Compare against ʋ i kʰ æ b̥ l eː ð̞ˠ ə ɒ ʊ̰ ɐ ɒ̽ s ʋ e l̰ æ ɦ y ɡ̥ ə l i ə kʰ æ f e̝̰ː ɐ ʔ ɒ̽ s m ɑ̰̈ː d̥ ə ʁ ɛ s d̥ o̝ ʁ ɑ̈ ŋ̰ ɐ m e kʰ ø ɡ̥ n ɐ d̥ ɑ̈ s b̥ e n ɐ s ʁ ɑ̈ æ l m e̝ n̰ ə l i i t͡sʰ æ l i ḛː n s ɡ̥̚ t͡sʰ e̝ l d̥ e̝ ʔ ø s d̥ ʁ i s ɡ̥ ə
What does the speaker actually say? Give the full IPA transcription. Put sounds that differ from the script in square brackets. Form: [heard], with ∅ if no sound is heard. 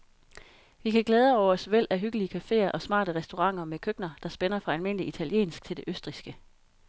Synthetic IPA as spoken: ʋ i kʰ æ [ɡ̥] l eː ð̞ˠ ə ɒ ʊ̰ ɐ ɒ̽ s ʋ e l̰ æ ɦ y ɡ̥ ə l i ə kʰ æ f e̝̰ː ɐ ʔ ɒ̽ s m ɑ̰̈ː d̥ ə ʁ ɛ s d̥ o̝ ʁ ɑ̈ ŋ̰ ɐ m e kʰ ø ɡ̥ n ɐ d̥ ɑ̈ s b̥ e n ɐ [f] ʁ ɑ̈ æ l m e̝ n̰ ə l i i t͡sʰ æ l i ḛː n s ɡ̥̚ t͡sʰ e̝ l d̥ e̝ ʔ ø s d̥ ʁ i s ɡ̥ ə